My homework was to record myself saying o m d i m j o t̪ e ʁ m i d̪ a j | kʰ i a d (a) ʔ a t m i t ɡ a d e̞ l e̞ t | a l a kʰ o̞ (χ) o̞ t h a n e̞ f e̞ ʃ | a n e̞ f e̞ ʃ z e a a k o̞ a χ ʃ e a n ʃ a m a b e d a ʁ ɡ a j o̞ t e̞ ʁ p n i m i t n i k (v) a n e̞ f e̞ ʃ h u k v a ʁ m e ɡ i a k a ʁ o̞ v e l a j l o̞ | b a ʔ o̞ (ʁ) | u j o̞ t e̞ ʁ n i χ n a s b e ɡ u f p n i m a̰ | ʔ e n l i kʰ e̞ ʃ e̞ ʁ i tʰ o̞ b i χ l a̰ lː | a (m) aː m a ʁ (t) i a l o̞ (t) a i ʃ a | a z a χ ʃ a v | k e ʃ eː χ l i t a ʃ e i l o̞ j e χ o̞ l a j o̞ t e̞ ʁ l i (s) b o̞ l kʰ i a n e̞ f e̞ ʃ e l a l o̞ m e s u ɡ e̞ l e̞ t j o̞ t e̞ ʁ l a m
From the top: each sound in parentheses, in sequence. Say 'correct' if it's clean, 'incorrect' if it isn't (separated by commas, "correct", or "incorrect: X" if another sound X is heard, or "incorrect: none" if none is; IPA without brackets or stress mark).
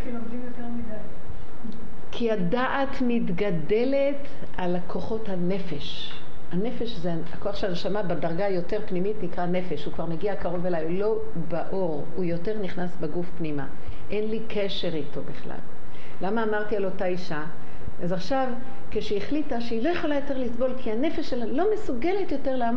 correct, correct, incorrect: ʁ, correct, correct, correct, correct, correct